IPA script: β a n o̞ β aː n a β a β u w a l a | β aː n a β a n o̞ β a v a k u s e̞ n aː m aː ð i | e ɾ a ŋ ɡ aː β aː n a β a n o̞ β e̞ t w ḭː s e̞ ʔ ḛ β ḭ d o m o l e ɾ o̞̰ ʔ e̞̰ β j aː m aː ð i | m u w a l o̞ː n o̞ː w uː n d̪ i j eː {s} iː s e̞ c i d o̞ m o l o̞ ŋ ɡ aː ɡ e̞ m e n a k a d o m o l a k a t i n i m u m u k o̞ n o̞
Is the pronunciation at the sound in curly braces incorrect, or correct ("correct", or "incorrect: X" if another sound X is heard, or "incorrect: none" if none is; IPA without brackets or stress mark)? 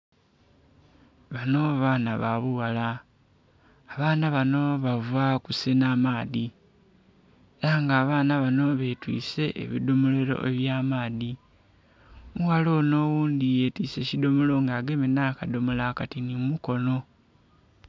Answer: incorrect: t